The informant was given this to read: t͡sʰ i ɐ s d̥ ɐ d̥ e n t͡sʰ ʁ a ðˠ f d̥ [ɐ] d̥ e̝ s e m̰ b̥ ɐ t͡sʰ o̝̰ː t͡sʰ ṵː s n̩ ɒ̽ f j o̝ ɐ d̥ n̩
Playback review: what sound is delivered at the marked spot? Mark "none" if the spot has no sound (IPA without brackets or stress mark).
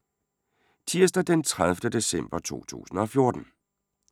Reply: ə